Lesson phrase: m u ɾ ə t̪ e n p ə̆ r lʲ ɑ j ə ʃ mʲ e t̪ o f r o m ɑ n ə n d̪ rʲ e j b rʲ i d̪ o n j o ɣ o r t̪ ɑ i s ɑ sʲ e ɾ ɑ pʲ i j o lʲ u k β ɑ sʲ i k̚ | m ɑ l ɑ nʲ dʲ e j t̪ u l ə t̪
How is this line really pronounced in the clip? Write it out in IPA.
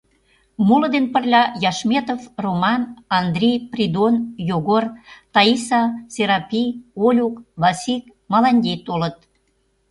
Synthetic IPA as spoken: m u l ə d̪ e n p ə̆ r lʲ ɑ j ɑ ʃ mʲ e t̪ o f r o m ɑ n ɑ n d̪ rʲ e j p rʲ i d̪ o n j o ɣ o r t̪ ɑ i s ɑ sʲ e ɾ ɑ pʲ i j o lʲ u k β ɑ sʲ i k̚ | m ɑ l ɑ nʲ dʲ e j t̪ o l ə t̪